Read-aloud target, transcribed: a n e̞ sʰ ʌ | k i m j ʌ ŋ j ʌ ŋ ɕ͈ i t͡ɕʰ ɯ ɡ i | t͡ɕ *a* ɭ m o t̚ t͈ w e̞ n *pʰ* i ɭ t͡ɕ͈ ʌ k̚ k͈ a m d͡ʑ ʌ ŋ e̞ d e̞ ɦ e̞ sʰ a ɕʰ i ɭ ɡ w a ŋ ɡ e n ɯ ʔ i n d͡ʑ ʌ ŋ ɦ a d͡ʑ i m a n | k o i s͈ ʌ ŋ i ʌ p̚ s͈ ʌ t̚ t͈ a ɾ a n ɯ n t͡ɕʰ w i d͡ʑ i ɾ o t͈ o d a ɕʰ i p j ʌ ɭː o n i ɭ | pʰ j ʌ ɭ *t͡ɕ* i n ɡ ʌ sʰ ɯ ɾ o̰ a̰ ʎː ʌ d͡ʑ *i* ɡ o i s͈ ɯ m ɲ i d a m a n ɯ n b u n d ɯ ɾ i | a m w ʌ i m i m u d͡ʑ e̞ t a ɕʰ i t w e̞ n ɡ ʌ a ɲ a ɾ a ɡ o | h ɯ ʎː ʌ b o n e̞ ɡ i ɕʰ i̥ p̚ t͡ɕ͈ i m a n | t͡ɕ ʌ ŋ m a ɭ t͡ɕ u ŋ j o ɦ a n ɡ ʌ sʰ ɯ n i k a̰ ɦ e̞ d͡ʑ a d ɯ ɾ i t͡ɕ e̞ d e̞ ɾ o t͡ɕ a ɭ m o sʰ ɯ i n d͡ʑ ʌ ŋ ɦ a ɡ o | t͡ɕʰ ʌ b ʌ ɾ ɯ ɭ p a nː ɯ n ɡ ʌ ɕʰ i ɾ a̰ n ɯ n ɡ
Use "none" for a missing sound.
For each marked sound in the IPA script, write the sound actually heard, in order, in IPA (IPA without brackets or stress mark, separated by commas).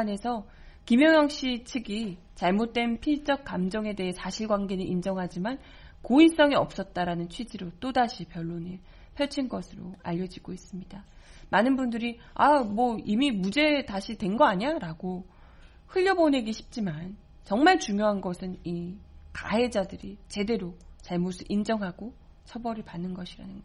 a, pʰ, t͡ɕʰ, i